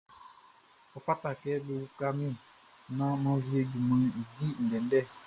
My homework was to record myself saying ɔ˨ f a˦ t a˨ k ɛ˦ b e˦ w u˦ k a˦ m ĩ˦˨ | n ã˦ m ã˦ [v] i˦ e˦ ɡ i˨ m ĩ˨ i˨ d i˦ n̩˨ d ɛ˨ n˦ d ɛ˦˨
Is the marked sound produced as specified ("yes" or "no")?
yes